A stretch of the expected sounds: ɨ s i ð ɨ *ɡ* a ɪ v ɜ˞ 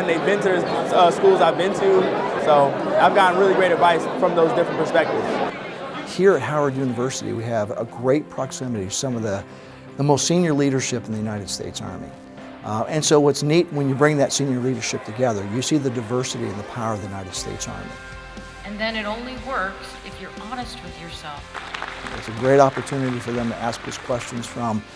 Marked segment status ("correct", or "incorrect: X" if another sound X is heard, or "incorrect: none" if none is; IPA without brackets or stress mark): incorrect: d